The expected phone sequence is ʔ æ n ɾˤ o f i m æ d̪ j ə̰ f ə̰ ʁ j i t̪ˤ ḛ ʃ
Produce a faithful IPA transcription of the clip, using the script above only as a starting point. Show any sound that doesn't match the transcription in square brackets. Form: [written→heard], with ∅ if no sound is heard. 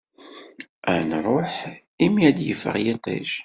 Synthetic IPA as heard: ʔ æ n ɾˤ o [f→ħ] i m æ d̪ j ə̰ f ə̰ ʁ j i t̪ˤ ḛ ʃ